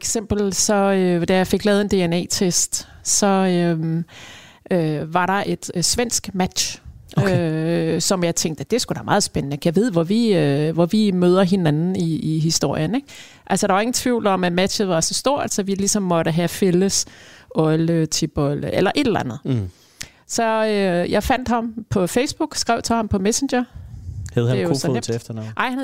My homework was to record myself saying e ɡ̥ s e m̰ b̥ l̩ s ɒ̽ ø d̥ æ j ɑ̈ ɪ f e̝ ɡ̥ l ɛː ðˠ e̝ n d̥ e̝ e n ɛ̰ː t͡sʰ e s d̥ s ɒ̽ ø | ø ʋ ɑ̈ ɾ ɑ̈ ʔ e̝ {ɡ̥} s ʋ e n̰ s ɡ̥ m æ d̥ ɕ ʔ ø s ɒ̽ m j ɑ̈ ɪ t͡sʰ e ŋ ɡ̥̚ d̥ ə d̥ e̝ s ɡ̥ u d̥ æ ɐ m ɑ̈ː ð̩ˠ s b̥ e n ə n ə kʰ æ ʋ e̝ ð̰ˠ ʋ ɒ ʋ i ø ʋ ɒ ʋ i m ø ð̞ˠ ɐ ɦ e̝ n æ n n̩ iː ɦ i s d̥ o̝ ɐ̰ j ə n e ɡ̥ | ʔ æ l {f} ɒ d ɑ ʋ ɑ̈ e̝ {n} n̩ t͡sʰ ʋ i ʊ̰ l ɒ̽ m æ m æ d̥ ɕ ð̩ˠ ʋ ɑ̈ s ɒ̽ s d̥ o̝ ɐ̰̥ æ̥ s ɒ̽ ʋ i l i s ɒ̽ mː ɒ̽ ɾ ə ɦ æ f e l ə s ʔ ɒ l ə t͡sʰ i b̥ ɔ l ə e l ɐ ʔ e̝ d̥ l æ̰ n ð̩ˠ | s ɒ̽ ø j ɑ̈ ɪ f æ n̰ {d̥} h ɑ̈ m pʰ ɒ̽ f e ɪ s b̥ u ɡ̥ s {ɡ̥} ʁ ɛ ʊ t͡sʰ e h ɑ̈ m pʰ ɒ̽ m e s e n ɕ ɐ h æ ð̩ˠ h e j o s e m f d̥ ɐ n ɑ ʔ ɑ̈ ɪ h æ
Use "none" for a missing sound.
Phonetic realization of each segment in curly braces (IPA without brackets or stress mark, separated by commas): d̥, s, ŋ, d̥, ɡ̥